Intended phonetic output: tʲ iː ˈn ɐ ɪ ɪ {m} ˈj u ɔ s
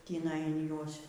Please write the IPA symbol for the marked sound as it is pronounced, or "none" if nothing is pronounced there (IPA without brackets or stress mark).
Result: n